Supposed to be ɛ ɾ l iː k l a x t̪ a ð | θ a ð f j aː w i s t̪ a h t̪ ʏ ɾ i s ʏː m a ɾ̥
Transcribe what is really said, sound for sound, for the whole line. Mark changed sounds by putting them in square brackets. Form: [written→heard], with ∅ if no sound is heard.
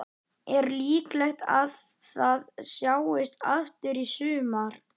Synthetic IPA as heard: ɛ ɾ l iː k l [a→ɛ] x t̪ a ð | θ a ð [f→s] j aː w [i→ɪ] s t̪ a [h→f] t̪ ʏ ɾ i s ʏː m a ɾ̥